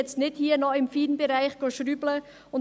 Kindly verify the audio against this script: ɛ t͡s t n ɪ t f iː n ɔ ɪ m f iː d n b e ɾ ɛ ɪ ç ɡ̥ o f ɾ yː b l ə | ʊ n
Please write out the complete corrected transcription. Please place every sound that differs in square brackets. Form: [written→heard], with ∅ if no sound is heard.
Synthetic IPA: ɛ t͡s t n ɪ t [f→h] iː n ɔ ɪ m f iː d n b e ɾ [ɛ→a] ɪ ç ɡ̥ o [f→ʃ] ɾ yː b l ə | ʊ n